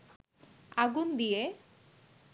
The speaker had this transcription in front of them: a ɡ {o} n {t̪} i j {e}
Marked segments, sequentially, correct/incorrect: incorrect: u, incorrect: d̪, correct

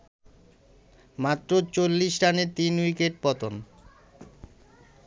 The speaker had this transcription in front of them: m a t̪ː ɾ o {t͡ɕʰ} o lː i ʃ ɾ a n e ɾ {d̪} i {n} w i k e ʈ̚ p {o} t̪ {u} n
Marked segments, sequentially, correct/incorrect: incorrect: t͡ɕ, incorrect: t̪, correct, incorrect: ɔ, incorrect: o

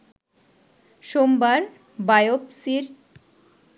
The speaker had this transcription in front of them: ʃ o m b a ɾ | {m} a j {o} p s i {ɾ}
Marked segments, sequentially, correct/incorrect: incorrect: b, correct, correct

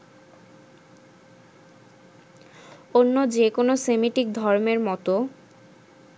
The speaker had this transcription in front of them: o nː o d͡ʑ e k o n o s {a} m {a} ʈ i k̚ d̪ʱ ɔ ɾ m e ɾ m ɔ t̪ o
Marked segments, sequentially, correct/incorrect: incorrect: e, incorrect: i

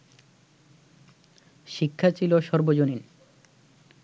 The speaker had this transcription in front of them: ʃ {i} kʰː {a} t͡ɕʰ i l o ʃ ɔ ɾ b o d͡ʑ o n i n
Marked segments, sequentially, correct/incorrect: correct, correct

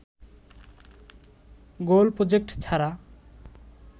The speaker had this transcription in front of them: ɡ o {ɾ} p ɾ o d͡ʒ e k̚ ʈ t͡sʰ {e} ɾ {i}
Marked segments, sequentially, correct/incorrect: incorrect: l, incorrect: a, incorrect: a

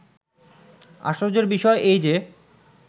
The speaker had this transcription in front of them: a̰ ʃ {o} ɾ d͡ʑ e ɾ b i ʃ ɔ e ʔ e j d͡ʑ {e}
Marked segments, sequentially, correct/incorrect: correct, correct

